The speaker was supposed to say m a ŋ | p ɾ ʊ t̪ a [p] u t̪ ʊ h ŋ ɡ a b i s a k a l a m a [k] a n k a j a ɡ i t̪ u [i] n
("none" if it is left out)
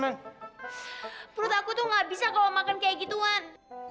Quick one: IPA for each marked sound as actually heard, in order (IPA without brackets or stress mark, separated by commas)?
k, k, a